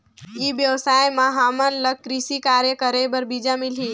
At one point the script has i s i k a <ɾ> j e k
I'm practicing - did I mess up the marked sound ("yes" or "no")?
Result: no